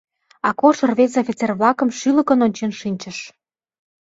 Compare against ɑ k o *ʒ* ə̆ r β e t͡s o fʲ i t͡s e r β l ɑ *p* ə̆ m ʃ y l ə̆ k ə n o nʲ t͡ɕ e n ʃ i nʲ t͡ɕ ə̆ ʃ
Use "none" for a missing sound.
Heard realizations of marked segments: ʃ, k

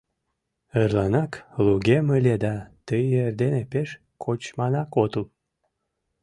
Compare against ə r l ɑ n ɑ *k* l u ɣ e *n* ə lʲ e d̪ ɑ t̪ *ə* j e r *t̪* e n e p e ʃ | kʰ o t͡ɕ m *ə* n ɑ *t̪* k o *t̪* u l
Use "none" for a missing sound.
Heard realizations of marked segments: k, m, ə, d̪, ɑ, none, t̪

